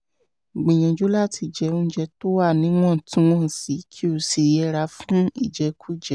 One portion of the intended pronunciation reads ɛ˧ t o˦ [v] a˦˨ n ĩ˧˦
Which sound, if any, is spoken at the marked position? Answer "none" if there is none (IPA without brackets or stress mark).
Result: w